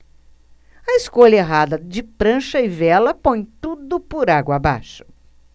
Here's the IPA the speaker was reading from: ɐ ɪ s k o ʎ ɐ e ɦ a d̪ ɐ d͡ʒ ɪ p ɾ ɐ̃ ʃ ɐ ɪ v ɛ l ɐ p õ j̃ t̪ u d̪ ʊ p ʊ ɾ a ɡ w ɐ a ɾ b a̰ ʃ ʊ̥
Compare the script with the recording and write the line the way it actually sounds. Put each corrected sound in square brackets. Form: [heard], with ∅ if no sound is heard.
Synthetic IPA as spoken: ɐ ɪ s k o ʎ ɐ e ɦ a d̪ ɐ d͡ʒ ɪ p ɾ ɐ̃ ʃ ɐ ɪ v ɛ l ɐ p õ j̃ t̪ u d̪ ʊ p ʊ ɾ a ɡ w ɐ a [∅] b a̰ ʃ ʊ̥